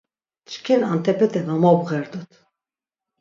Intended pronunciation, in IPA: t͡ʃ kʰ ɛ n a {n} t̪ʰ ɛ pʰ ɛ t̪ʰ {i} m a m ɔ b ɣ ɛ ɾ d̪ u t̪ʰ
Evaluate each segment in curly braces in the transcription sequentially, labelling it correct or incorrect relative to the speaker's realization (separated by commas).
correct, incorrect